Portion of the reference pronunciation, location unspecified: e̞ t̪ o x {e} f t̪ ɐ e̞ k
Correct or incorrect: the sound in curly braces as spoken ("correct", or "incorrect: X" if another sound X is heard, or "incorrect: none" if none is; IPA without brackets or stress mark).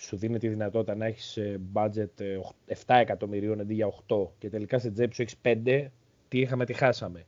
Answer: correct